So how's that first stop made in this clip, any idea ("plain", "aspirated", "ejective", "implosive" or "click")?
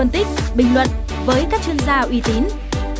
plain